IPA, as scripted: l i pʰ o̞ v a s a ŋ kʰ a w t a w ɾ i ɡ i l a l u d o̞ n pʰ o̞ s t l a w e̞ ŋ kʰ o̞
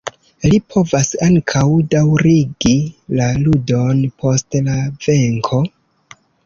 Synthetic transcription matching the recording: l i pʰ o̞ v a s a ŋ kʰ a w d a w ɾ i ɡ i l a l u d o̞ n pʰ o̞ s t l a v e̞ ŋ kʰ o̞